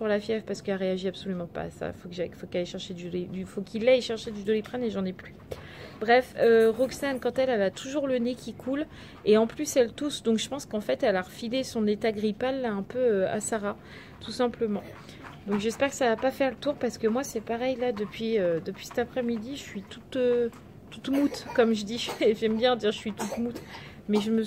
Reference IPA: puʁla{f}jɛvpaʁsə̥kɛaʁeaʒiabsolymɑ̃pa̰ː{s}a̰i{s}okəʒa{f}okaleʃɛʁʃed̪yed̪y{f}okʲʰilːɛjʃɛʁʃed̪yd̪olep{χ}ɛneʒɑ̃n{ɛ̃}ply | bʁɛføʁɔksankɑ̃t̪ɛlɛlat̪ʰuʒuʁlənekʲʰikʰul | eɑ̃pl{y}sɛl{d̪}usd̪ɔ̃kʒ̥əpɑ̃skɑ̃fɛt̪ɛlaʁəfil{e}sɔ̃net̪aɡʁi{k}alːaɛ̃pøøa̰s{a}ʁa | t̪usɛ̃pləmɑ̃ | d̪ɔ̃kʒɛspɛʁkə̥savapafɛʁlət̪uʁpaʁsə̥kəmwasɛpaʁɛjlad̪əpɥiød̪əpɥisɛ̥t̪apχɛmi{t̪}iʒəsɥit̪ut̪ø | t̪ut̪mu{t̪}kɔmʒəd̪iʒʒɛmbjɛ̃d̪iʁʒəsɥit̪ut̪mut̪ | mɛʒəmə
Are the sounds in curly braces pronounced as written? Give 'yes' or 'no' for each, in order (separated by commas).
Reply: yes, yes, no, yes, yes, yes, no, yes, no, yes, no, yes, no, yes